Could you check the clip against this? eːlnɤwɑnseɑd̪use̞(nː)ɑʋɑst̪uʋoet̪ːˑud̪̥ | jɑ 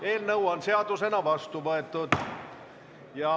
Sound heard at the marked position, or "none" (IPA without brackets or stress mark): n